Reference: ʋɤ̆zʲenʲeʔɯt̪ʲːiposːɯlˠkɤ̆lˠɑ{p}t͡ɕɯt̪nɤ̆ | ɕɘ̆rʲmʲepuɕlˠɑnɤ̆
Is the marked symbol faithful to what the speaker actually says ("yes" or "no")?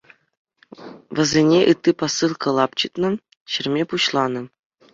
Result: yes